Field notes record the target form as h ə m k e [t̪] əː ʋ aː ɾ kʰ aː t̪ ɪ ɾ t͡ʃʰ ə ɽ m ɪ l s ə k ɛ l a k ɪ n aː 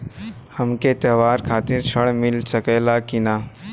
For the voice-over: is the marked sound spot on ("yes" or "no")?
yes